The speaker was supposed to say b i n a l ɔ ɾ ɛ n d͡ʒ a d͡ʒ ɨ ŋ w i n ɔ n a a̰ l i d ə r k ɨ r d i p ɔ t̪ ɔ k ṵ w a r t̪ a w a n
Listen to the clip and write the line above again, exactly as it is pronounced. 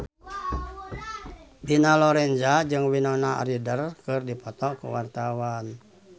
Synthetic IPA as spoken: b i n a l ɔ ɾ ɛ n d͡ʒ a d͡ʒ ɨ ŋ w i n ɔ n a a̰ ɾ i d ə r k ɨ r d i p ɔ t̪ ɔ k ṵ w a r t̪ a w a n